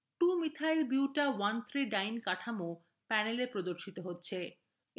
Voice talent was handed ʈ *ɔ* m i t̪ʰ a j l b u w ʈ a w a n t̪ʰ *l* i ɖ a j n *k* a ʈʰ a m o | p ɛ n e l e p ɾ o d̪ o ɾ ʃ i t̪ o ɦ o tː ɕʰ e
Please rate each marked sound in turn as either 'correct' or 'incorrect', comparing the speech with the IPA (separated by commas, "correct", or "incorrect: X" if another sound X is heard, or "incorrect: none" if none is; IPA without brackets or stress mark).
incorrect: u, incorrect: ɾ, correct